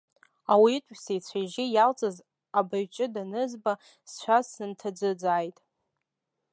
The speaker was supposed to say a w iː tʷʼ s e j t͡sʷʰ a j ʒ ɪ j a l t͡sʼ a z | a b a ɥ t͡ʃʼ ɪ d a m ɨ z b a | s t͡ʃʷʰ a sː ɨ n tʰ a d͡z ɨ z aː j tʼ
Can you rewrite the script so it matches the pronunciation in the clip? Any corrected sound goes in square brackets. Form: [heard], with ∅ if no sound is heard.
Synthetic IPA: a w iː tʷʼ s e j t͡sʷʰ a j ʒ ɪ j a l t͡sʼ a z | a b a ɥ t͡ʃʼ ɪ d a [n] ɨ z b a | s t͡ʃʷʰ a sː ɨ n tʰ a d͡z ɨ [d͡z] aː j tʼ

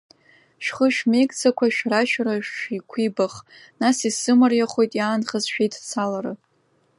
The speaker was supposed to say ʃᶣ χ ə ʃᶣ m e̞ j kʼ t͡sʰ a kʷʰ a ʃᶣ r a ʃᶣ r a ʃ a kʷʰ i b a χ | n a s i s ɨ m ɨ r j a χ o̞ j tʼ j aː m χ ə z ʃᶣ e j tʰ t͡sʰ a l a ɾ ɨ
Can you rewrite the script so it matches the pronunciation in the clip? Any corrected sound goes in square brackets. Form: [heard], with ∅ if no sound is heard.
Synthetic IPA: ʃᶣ χ ə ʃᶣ m e̞ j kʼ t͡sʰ a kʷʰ a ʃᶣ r a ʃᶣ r a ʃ [i] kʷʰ i b a χ | n a s i s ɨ m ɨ r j a χ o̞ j tʼ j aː [n] χ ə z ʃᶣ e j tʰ t͡sʰ a l a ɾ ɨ

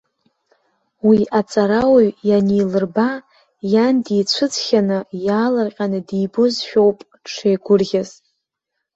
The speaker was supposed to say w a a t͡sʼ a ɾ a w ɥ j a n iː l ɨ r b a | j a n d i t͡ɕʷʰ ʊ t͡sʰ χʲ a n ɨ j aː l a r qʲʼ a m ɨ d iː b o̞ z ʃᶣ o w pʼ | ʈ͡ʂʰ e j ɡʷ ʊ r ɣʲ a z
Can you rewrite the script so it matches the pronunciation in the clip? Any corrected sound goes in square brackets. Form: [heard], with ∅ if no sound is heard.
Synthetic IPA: w [i] a t͡sʼ a ɾ a w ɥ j a n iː l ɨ r b a | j a n d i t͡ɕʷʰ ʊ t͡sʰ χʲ a n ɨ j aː l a r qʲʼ a [n] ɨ d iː b o̞ z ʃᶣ o w pʼ | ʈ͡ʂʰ e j ɡʷ ʊ r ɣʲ a z

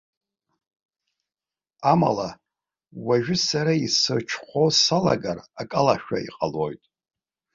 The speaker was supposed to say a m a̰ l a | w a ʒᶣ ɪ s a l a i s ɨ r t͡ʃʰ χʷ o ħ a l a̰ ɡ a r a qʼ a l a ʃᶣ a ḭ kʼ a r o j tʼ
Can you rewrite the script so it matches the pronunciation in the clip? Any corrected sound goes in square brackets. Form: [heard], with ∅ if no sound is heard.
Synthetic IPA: a m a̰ l a | w a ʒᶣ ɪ s a [ɾ] a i s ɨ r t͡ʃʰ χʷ o [s] a l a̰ ɡ a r a [kʼ] a l a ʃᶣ a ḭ [qʼ] a [l] o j tʼ

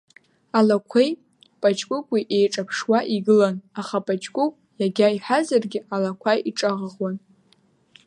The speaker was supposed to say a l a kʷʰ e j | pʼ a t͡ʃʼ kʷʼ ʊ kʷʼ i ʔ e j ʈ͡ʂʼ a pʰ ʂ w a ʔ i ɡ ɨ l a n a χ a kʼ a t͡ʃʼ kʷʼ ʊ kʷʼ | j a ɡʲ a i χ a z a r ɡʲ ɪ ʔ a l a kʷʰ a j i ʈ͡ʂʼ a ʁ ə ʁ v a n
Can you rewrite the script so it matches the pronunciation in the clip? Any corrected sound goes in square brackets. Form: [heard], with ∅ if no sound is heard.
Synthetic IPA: a l a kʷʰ e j | pʼ a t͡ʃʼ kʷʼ ʊ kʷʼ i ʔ e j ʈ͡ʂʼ a pʰ ʂ w a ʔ i ɡ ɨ l a n a χ a [pʼ] a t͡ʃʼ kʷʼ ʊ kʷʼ | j a ɡʲ a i [ħ] a z a r ɡʲ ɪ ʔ a l a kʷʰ a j i ʈ͡ʂʼ a ʁ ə ʁ [w] a n

